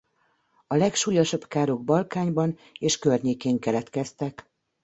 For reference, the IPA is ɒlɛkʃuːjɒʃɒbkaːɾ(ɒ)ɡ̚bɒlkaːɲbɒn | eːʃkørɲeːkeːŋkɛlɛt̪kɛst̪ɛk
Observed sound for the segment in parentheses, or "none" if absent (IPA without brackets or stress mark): o